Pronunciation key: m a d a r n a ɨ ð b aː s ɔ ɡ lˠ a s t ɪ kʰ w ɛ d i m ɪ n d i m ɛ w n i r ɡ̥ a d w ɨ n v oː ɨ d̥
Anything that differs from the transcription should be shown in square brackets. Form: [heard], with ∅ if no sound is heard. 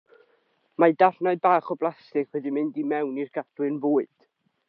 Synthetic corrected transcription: m a d a r n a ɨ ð b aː [χ] ɔ [b] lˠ a s t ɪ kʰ w ɛ d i m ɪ n d i m ɛ w n i r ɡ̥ a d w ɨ n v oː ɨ d̥

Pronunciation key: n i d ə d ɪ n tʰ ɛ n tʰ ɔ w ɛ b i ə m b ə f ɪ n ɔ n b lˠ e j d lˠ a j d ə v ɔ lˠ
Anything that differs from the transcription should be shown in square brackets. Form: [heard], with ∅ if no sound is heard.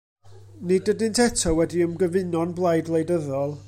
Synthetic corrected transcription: n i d ə d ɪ n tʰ ɛ [∅] tʰ ɔ w ɛ [d] i ə m [ɡ] ə [v] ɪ n ɔ n b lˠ [a] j d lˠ [e] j d ə [ð] ɔ lˠ

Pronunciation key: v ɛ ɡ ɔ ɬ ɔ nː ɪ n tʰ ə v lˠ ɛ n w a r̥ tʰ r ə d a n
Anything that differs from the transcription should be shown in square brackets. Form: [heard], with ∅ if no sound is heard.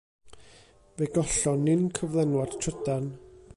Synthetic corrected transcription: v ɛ ɡ ɔ ɬ ɔ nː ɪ n [kʰ] ə v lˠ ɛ n w a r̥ tʰ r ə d a n

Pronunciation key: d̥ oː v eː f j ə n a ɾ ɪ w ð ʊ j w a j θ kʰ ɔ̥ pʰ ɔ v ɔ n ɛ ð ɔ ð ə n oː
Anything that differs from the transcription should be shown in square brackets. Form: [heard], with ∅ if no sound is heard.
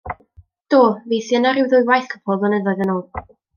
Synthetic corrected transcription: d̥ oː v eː [θ] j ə n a ɾ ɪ w ð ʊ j w a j θ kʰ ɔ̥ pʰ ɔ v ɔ n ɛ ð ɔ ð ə n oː

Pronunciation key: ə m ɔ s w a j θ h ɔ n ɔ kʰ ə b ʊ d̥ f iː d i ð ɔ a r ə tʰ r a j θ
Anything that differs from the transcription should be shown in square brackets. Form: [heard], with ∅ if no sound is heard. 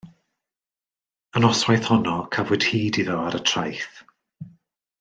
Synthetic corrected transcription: ə [n] ɔ s w a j θ h ɔ n ɔ kʰ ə [v] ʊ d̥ [h] iː d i ð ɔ a [ɾ] ə tʰ r a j θ

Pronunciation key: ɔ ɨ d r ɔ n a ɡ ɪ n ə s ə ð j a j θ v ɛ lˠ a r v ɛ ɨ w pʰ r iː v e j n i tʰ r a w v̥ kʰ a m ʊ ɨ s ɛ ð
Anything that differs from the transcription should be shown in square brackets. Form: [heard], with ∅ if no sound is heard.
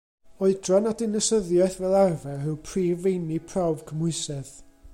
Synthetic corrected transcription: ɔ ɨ d r ɔ n a [d] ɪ n ə s ə ð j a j θ v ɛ lˠ a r v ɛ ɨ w pʰ r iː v e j n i [pʰ] r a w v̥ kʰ [ə] m ʊ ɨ s ɛ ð

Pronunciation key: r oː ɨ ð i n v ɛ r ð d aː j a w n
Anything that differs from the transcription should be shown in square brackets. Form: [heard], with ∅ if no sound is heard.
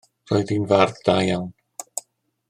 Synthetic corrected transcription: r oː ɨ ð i n v [a] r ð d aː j a w n

